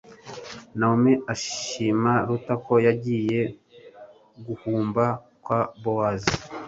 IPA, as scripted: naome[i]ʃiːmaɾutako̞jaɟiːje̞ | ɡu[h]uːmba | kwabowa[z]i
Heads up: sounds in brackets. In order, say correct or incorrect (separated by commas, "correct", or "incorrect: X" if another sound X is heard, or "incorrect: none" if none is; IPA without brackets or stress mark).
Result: incorrect: a, correct, correct